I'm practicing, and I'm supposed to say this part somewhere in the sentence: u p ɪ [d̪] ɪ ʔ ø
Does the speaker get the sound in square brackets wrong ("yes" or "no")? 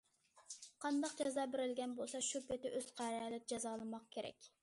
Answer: yes